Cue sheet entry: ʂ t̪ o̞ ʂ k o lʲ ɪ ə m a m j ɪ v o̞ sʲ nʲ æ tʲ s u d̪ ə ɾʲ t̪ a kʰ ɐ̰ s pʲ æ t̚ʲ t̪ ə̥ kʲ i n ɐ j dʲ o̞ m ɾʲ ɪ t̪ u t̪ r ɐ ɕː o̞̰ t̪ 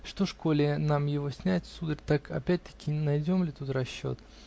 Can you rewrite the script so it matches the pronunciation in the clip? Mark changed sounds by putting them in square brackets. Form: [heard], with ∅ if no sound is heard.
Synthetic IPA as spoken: ʂ t̪ o̞ ʂ k o lʲ ɪ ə [n] a m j ɪ v o̞ sʲ nʲ æ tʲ s u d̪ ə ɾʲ t̪ a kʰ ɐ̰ [∅] pʲ æ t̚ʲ t̪ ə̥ kʲ [ɪ] n ɐ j dʲ o̞ m [lʲ] ɪ t̪ u t̪ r ɐ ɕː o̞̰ t̪